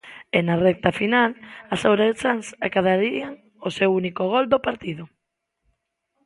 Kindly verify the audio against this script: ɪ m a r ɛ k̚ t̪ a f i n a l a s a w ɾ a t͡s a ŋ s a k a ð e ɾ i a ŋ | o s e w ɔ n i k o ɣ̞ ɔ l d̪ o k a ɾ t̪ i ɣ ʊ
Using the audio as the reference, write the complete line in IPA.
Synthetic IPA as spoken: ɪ n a r ɛ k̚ t̪ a f i n a l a s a w ɾ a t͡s a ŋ s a k a ð a ɾ i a ŋ | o s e w u n i k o ɣ̞ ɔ l d̪ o p a ɾ t̪ i ð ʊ